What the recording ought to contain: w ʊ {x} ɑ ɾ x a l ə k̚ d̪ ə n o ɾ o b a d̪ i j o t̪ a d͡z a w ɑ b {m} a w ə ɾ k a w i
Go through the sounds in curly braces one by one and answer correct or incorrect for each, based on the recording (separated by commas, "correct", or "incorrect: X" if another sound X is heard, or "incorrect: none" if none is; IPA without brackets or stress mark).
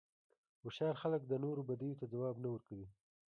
incorrect: ʃ, incorrect: n